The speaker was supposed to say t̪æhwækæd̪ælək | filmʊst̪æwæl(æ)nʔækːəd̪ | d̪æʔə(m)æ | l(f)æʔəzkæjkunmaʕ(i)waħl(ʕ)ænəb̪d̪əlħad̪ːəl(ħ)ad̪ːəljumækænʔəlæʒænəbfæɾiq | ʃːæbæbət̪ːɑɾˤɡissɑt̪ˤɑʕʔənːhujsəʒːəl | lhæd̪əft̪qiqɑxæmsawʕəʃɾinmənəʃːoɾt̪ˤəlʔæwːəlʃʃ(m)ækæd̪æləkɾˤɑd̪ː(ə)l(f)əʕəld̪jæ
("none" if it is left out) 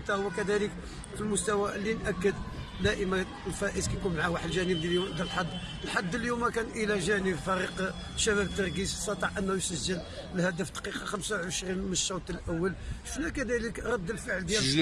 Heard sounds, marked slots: i, m, f, a, ʒ, ħ, n, ə, f

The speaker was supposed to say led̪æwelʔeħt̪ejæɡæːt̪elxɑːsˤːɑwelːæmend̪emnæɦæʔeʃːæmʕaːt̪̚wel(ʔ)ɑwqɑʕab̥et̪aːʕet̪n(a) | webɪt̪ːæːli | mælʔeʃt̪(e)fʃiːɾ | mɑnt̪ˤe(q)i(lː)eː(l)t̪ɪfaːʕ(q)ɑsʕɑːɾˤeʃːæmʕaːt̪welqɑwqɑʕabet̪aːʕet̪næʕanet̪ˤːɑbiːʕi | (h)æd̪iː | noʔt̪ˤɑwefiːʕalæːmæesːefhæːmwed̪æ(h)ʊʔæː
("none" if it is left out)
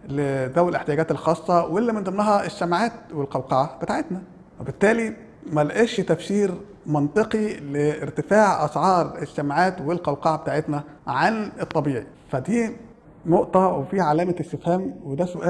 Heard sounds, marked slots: q, æ, æ, q, l, ɾ, ʔ, f, s

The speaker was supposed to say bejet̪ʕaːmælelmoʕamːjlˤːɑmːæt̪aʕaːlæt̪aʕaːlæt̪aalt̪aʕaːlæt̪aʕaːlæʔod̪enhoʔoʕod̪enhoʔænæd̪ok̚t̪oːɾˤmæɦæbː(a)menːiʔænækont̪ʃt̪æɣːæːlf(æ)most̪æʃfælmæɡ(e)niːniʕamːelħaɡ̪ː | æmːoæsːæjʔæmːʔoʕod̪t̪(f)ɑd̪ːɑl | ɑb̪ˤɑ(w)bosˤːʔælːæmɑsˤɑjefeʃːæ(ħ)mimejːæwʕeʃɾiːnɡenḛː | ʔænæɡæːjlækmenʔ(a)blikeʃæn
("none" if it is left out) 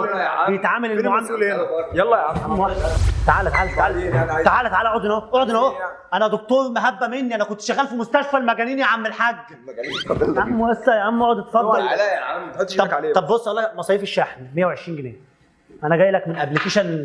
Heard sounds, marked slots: æ, i, æ, f, b, ħ, æ

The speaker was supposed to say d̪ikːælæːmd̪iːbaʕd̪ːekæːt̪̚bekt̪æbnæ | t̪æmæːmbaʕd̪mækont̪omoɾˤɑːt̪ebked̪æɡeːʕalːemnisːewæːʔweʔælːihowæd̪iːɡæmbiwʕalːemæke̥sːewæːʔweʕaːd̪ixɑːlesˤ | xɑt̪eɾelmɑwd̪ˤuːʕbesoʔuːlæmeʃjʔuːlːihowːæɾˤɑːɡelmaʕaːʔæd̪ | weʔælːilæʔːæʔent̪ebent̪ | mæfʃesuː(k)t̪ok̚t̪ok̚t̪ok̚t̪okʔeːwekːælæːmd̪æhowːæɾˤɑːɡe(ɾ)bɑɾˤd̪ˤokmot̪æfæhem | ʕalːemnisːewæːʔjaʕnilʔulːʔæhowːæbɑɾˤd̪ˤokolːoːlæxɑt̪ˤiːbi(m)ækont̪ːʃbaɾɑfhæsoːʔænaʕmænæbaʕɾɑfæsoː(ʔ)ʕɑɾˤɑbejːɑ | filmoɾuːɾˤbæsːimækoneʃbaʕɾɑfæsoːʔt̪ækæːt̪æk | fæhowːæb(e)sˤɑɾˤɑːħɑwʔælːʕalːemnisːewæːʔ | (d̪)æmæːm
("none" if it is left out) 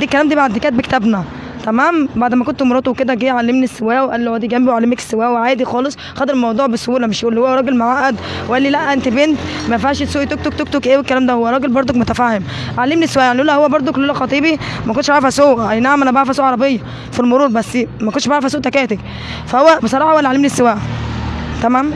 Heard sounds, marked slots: ʔ, l, m, ʔ, e, t̪

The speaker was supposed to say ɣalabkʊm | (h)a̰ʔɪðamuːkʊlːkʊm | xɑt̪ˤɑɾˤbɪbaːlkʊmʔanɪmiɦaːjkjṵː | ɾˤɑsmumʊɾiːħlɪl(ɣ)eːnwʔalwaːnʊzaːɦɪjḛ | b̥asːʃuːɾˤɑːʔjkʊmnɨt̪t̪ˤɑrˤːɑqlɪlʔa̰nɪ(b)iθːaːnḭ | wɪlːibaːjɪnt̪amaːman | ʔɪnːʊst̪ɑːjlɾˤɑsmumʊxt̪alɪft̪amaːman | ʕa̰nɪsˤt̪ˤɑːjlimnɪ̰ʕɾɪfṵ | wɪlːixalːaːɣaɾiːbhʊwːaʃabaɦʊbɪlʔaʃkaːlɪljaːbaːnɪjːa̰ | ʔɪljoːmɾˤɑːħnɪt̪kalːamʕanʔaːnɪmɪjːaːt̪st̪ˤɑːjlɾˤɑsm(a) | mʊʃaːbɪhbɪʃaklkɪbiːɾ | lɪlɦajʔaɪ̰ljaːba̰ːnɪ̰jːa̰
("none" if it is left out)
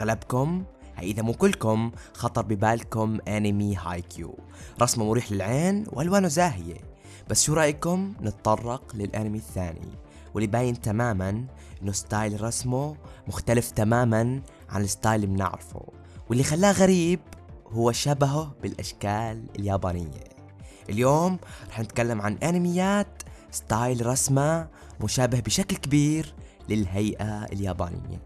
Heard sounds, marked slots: h, ʕ, m, a

